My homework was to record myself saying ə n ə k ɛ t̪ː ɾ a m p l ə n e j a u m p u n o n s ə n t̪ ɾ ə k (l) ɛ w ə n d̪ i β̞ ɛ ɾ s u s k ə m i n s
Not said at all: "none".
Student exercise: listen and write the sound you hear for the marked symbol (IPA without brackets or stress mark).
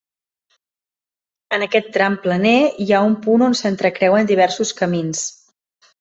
ɾ